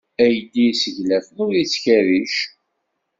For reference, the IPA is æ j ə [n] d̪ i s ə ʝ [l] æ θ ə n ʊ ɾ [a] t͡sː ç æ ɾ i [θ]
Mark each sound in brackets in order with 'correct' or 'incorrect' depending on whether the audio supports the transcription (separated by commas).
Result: incorrect, correct, incorrect, incorrect